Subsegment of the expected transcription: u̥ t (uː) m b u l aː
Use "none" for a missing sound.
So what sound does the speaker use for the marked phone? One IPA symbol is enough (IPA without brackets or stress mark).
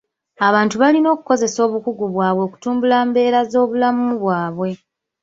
uː